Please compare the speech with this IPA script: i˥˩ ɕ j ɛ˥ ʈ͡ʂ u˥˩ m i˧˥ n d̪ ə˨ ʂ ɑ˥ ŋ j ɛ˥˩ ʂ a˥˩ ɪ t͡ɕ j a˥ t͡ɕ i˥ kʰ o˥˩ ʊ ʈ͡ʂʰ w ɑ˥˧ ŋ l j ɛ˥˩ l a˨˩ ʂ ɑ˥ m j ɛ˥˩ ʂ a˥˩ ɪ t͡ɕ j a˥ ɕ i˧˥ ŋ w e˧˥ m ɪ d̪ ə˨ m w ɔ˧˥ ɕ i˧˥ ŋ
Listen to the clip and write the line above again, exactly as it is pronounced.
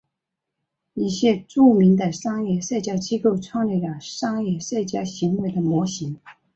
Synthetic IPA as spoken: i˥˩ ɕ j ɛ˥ ʈ͡ʂ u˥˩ m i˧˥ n d̪ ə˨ ʂ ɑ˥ ŋ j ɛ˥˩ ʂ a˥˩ ɪ t͡ɕ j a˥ t͡ɕ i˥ k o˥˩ ʊ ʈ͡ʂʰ w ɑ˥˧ ŋ l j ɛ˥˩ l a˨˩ ʂ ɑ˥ ŋ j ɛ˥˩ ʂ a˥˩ ɪ t͡ɕ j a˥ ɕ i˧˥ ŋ w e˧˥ ɪ d̪ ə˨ m w ɔ˧˥ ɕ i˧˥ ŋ